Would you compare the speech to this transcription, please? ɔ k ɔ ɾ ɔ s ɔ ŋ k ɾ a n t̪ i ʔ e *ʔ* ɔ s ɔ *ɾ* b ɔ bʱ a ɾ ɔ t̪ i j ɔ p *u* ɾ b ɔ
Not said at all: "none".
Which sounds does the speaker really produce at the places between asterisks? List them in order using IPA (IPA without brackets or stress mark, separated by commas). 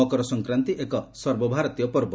k, ɾ, ɔ